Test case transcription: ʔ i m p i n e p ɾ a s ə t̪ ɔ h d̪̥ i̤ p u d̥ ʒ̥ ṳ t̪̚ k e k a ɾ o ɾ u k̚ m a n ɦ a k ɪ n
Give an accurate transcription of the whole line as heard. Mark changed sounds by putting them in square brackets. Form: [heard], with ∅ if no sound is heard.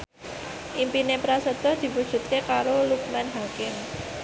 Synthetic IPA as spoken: ʔ i m p i n e p ɾ a s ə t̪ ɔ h d̪̥ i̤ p u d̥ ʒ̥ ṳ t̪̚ k e k a ɾ o [l] u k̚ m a n ɦ a k ɪ [m]